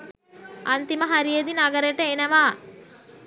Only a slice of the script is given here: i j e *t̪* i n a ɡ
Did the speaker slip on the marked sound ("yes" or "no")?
yes